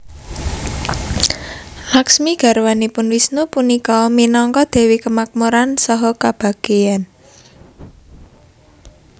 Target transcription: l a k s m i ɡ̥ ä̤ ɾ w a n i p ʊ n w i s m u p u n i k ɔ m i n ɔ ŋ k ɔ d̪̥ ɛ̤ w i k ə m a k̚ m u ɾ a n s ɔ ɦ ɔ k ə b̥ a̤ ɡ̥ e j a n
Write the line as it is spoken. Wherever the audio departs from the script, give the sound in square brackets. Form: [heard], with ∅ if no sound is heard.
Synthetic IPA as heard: l a k s m i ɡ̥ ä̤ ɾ w a n i p ʊ n w i s [n] u p u n i k ɔ m i n ɔ ŋ k ɔ d̪̥ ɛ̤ w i k ə m a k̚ m u ɾ a n s ɔ ɦ ɔ k [a] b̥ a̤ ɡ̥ e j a n